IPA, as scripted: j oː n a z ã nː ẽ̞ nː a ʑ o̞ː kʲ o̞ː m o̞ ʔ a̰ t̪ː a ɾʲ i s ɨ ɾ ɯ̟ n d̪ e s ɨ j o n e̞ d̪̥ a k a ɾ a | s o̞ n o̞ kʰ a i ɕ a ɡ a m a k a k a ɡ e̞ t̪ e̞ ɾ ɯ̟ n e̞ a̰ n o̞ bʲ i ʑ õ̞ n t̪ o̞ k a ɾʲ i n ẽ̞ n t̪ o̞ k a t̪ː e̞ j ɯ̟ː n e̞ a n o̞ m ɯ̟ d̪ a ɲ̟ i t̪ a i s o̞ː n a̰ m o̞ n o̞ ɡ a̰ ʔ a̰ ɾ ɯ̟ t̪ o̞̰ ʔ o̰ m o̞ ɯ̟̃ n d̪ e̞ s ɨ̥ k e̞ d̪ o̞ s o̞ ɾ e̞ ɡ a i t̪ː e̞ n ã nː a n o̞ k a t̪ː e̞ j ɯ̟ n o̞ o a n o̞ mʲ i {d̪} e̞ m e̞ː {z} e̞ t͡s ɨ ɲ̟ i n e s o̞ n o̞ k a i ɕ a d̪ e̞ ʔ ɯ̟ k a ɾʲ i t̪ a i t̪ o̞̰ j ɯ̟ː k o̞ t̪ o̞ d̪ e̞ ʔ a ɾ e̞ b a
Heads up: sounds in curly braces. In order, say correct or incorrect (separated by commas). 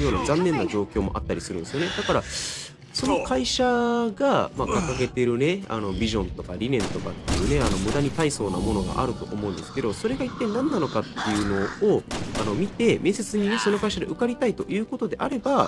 incorrect, incorrect